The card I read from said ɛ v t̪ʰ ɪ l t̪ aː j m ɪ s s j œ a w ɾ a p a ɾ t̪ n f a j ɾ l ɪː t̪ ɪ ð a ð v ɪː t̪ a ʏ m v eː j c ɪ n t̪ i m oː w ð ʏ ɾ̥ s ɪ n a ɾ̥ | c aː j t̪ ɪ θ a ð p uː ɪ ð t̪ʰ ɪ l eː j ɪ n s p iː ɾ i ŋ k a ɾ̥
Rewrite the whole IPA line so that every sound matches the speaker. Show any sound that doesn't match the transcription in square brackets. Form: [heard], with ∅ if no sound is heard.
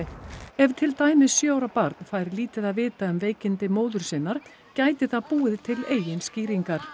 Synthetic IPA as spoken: ɛ v t̪ʰ ɪ l t̪ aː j m ɪ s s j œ a w ɾ a p a ɾ t̪ n f a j ɾ l [iː] t̪ ɪ ð a ð v ɪː t̪ a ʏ m v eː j c ɪ n t̪ [ɪ] m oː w ð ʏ ɾ̥ s ɪ n a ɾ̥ | c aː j t̪ ɪ θ a ð p uː ɪ ð t̪ʰ ɪ l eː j ɪ n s [c] iː ɾ i ŋ k a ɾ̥

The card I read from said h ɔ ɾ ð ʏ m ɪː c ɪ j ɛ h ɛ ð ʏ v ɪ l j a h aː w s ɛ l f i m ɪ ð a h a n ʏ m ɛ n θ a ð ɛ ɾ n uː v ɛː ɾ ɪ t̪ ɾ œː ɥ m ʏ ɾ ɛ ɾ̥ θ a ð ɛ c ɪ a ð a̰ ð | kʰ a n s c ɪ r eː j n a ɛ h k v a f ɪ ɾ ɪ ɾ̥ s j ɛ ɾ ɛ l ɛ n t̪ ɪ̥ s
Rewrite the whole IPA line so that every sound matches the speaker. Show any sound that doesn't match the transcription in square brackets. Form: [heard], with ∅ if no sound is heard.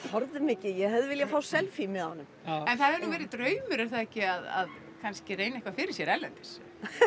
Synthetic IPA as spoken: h ɔ ɾ ð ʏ m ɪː c ɪ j ɛ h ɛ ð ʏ v ɪ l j a [f] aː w s ɛ l f i m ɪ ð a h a n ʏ m ɛ n θ a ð ɛ ɾ n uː v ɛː ɾ ɪ t̪ ɾ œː ɥ m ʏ ɾ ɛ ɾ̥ θ a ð ɛ c ɪ a ð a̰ ð | kʰ a n s c ɪ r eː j n a ɛ h k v a f ɪ ɾ ɪ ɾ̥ s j ɛ ɾ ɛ l ɛ n t̪ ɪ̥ s

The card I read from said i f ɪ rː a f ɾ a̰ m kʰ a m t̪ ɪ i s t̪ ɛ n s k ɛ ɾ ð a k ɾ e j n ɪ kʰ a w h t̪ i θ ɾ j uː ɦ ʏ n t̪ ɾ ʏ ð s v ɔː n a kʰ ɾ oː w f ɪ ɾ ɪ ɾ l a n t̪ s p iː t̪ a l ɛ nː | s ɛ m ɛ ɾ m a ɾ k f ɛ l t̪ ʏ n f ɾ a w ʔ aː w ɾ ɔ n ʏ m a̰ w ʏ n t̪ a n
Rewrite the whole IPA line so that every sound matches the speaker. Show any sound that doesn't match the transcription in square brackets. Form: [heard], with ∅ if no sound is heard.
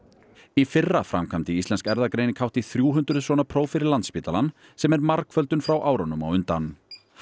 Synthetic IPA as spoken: i f ɪ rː a f ɾ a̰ m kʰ a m t̪ ɪ i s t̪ ɛ n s k ɛ ɾ ð a k ɾ e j n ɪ kʰ a w h t̪ i θ ɾ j uː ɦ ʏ n t̪ ɾ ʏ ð s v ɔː n a [pʰ] ɾ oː w f ɪ ɾ ɪ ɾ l a n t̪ s p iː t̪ a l [a] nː | s ɛ m ɛ ɾ m a ɾ k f [œ] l t̪ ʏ n f ɾ a w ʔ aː w ɾ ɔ n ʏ m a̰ w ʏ n t̪ a n

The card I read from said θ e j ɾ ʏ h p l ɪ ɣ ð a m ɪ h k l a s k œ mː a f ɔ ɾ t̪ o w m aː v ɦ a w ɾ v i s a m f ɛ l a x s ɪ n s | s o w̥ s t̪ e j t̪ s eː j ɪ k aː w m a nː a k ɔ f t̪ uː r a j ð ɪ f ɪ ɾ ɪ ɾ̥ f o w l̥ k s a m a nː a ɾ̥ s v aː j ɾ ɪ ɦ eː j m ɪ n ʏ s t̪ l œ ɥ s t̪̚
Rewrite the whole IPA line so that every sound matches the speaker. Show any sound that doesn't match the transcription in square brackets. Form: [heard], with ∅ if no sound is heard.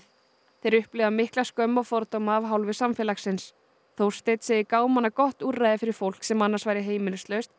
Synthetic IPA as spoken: θ e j ɾ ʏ h p l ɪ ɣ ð a m ɪ h k l a s k œ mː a f ɔ ɾ t̪ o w m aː v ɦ a w [l] v [ɪ] s a m f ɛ l a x s ɪ n s | [θ] o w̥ s t̪ e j t̪ s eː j ɪ k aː w m a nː a k ɔ [h] t̪ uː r a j ð ɪ f ɪ ɾ ɪ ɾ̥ f o w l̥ k s [ɛ] m a nː a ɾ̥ s v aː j ɾ ɪ ɦ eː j m ɪ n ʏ s t̪ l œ ɥ s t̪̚

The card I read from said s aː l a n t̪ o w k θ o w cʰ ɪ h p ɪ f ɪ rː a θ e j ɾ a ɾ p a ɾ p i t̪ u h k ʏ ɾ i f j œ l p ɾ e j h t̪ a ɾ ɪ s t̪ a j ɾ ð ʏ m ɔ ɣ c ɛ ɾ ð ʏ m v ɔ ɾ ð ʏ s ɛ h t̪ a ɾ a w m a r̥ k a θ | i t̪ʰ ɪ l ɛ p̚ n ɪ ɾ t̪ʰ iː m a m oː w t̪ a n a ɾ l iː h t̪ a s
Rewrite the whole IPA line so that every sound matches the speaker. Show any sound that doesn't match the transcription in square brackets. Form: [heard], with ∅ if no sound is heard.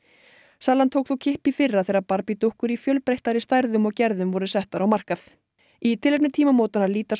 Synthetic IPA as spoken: s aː l a n [t̪ʰ] o w k θ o w cʰ ɪ h p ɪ f ɪ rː a θ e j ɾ a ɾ p a ɾ p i t̪ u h k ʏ ɾ i f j œ l p ɾ e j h t̪ a ɾ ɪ s t̪ a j ɾ ð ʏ m ɔ ɣ c ɛ ɾ ð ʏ m v ɔ ɾ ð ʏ s ɛ h t̪ a ɾ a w m a r̥ k a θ | i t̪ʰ ɪ l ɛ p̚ n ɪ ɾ t̪ʰ iː m a m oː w t̪ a n a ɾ l iː [∅] t̪ a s

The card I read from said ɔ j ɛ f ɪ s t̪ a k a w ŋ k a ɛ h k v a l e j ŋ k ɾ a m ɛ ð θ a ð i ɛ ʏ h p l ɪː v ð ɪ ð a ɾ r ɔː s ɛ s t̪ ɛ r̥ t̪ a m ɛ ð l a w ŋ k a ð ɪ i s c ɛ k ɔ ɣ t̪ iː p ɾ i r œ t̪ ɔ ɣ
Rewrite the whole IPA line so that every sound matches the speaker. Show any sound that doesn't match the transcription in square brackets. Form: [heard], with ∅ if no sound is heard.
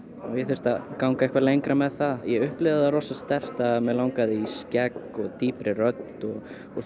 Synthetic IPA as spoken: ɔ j ɛ [θ] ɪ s t̪ a k a w ŋ k a ɛ h k v a l e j ŋ k ɾ a m ɛ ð θ a ð [j] ɛ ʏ h p l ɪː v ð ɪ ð a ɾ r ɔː s [a] s t̪ ɛ r̥ t̪ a m ɛ ð l a w ŋ k a ð ɪ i s c ɛ k ɔ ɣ t̪ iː p ɾ [ɪ] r œ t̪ ɔ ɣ

